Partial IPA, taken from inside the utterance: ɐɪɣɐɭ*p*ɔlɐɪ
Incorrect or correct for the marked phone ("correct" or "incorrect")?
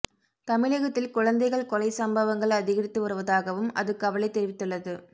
incorrect